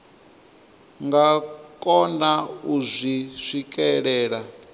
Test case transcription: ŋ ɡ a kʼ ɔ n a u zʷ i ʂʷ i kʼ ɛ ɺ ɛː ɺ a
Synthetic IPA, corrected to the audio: ŋ ɡ a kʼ ɔ n a u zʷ i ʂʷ i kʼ ɛ ɺ ɛː ɺ a